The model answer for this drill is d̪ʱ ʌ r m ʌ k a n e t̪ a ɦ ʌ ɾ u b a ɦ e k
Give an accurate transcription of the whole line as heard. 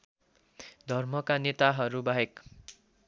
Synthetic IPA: d̪ʱ ʌ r m ʌ k a n e t̪ a ɦ ʌ ɾ u b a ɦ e k